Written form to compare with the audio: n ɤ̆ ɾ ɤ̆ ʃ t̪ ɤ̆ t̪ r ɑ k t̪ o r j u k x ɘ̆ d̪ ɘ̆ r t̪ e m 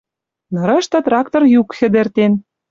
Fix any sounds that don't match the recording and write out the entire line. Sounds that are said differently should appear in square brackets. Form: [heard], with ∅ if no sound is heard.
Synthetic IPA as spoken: n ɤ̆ ɾ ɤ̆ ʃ t̪ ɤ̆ t̪ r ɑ k t̪ o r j u k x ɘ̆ d̪ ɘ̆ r t̪ e [n]